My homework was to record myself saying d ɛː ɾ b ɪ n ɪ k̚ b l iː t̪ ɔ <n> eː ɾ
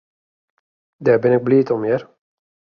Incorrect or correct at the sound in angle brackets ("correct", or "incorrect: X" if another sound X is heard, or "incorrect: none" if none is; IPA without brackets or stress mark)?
incorrect: m